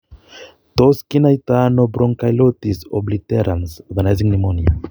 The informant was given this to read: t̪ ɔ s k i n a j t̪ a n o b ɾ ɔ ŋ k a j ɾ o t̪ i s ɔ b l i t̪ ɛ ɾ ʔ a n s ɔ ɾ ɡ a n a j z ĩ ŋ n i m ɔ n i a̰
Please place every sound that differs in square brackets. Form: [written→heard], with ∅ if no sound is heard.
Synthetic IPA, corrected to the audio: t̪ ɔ s k i n a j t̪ a n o b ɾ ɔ ŋ k a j [ɾ→l] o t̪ i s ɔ b l i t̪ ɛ ɾ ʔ a n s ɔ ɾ ɡ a n a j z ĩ ŋ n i m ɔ n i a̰